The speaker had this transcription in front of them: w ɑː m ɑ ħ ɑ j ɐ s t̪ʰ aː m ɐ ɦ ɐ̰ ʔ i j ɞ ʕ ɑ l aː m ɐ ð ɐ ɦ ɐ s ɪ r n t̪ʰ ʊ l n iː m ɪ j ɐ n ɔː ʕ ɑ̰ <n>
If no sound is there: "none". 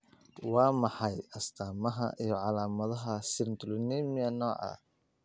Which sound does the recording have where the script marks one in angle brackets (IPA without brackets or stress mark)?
none